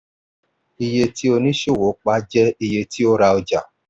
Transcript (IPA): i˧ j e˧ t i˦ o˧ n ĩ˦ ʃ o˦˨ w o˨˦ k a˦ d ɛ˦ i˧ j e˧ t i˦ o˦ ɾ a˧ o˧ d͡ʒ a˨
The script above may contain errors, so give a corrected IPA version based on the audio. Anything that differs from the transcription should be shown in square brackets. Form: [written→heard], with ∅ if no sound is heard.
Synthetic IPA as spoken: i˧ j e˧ t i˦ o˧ n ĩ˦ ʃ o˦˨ w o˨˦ [k→k͡p] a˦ [d→d͡ʒ] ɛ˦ i˧ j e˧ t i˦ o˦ ɾ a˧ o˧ d͡ʒ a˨